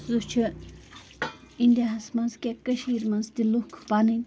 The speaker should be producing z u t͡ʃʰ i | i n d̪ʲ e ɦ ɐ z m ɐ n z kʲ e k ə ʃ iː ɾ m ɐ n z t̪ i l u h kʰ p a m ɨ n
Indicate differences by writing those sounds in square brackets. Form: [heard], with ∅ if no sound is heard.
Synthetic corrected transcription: z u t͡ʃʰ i | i n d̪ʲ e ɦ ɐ [s] m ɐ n z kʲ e k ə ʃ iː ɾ m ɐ n z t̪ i l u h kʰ p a [n] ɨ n